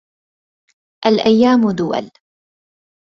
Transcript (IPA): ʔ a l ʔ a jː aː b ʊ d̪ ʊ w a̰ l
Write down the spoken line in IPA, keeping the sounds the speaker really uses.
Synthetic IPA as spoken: ʔ a l ʔ a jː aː m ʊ d̪ ʊ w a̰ l

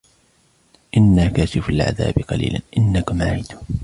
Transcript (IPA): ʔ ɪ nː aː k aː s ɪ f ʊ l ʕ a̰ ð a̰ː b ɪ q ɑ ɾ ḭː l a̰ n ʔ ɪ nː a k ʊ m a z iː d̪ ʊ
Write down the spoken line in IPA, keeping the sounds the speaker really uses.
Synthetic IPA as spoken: ʔ ɪ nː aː k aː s ɪ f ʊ l ʕ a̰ ð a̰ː b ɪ q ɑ l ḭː l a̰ n ʔ ɪ nː a k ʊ m a ʕ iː d̪ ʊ

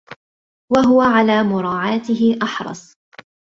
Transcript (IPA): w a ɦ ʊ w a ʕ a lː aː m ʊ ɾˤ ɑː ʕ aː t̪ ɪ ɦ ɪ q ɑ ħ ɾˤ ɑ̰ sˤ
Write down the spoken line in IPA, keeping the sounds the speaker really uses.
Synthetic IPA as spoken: w a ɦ ʊ w a ʕ a l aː m ʊ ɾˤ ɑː ʕ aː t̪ ɪ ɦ ɪ ʔ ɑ ħ ɾˤ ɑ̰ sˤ

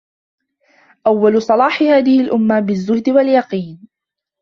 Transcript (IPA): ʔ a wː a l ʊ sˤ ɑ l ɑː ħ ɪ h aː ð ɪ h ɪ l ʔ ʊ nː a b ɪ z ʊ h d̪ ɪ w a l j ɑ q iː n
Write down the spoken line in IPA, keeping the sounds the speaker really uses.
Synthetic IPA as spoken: ʔ a wː a l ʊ sˤ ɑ l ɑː ħ ɪ h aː ð ɪ h ɪ l ʔ ʊ mː a b ɪ zː ʊ h d̪ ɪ w a l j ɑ q iː n

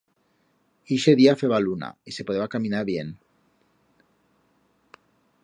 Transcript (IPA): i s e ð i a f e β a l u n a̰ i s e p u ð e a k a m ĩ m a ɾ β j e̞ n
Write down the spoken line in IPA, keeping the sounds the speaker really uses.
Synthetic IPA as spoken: i ʃ e ð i a f e β a l u n a̰ i s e p o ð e a k a m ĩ n a ɾ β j e̞ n

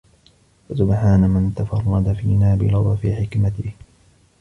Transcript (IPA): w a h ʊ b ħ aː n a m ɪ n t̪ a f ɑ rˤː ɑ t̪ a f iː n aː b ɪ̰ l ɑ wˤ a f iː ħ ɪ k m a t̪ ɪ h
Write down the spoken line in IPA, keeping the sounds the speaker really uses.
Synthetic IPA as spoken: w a s ʊ b ħ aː n a m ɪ n t̪ a f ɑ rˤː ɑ d̪ a f iː n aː b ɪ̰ l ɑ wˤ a f iː ħ ɪ k m a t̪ ɪ h

